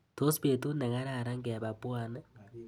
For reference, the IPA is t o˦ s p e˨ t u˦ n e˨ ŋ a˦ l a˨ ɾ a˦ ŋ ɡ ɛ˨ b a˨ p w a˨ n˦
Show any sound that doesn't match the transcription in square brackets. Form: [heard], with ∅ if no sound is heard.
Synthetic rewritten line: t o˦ s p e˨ t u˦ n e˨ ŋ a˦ [ɾ] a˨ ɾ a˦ ŋ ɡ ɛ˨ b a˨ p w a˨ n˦